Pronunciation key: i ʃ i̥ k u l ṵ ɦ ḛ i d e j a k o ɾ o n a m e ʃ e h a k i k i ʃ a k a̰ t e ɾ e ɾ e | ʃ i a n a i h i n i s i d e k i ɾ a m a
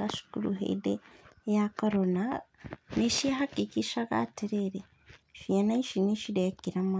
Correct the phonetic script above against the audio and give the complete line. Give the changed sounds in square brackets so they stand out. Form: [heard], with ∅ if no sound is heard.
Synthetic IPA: [a] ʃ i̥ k u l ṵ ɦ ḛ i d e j a k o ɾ o n a [n] e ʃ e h a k i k i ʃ a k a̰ t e ɾ e ɾ e | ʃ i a n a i [ʃ] i n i [ʃ] i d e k i ɾ a m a